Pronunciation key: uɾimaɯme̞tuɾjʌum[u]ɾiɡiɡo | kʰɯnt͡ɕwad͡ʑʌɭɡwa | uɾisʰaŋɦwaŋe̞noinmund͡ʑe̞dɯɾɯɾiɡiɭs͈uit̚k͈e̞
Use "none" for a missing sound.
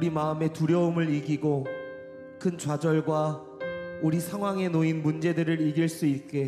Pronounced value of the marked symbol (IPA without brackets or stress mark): ɯ